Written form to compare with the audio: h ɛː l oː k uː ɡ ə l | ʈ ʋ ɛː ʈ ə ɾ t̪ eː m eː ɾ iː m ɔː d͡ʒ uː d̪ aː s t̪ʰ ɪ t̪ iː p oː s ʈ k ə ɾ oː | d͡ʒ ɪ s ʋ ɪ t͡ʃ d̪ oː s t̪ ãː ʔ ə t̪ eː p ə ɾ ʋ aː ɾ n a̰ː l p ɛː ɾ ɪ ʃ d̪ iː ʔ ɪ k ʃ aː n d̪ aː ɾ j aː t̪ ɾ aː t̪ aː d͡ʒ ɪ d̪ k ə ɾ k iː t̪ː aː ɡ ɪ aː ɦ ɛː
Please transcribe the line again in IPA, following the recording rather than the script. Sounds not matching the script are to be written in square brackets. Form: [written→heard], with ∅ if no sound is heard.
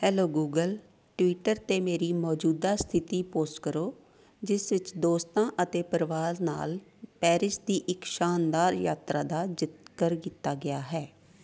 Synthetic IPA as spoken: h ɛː l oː [k→ɡ] uː ɡ ə l | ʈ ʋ [ɛː→iː] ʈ ə ɾ t̪ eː m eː ɾ iː m ɔː d͡ʒ uː d̪ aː s t̪ʰ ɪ t̪ iː p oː s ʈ k ə ɾ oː | d͡ʒ ɪ s ʋ ɪ t͡ʃ d̪ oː s t̪ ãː ʔ ə t̪ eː p ə ɾ ʋ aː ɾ n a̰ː l p ɛː ɾ ɪ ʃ d̪ iː ʔ ɪ k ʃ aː n d̪ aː ɾ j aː t̪ ɾ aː [t̪→d̪] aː d͡ʒ ɪ [d̪→t̪] k ə ɾ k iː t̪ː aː ɡ ɪ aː ɦ ɛː